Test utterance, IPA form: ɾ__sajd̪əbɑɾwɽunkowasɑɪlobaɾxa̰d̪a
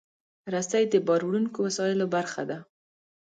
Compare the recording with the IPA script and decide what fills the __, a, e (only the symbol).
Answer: a